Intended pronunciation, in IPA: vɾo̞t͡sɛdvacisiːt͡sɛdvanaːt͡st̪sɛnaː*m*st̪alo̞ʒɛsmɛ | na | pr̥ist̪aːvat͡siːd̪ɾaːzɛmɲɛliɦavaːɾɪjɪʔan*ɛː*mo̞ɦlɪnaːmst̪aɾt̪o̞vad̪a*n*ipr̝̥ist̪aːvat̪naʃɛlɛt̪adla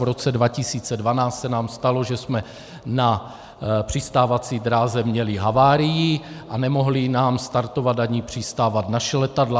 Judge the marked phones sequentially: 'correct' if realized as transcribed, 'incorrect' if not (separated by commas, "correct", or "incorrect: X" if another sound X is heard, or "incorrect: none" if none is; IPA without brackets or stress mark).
correct, incorrect: ɛ, incorrect: ɲ